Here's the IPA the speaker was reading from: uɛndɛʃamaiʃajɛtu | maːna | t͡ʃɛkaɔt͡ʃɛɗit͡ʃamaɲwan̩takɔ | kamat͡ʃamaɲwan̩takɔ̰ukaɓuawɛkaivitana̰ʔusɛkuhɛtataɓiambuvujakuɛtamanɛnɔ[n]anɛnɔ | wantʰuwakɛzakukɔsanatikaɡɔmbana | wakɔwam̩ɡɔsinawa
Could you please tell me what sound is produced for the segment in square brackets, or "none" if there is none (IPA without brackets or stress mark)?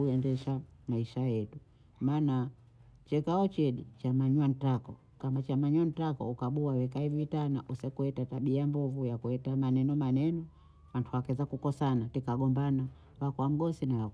m